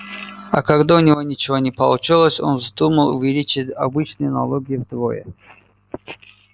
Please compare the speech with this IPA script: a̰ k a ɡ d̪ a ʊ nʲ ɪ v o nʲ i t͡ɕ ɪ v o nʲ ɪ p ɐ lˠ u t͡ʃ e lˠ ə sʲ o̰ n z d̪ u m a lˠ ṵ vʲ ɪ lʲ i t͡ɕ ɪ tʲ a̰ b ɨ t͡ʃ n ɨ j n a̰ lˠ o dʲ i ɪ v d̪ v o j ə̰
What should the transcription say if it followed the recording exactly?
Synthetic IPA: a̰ k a ɡ d̪ a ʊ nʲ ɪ v o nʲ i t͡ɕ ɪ v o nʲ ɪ p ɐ lˠ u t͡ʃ i lˠ ə sʲ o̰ n z d̪ u m ə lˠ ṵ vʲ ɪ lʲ i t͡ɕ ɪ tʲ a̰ b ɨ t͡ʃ n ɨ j n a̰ lˠ o ɡʲ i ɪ v d̪ v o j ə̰